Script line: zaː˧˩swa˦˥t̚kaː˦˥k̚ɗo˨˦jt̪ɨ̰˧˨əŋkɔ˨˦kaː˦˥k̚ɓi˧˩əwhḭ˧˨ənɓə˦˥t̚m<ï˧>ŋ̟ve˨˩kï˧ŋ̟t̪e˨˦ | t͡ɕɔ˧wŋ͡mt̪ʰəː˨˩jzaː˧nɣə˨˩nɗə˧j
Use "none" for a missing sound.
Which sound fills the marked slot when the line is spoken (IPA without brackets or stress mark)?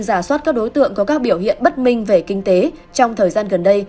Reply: ï˧